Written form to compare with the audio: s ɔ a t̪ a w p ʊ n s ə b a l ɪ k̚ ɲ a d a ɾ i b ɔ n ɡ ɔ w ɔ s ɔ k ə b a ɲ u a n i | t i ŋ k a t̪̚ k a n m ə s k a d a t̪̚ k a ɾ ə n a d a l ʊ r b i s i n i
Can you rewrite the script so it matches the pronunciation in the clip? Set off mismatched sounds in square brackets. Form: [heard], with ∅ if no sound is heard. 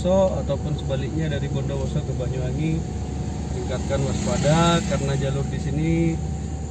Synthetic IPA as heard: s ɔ a t̪ a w p ʊ n s ə b a l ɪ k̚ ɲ a d a ɾ i b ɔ n [d] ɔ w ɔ s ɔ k ə b a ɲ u a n i | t i ŋ k a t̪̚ k a n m [a] s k a d a [∅] k a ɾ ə n a [d͡ʒ] a l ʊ r [d] i s i n i